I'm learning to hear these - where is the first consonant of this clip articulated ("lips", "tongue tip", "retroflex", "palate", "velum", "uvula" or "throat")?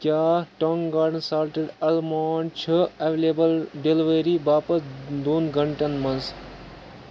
velum